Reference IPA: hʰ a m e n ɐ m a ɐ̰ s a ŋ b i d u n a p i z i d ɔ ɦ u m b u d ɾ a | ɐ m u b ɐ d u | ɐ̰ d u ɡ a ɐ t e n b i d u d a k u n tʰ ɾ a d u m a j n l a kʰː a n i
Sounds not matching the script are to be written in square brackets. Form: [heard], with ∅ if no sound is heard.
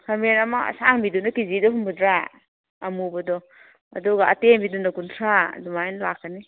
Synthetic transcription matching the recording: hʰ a m e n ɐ m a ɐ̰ s a ŋ b i d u n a [k] i z i d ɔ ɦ u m b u d ɾ a | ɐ m u b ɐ d [ɔ] | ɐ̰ d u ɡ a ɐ t e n b i d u [n] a k u n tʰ ɾ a d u m a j n l a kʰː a n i